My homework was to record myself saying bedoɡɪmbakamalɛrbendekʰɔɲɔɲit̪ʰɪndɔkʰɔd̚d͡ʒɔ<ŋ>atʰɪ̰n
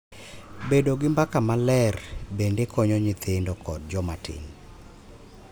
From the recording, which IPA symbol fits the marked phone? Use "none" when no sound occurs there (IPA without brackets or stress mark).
m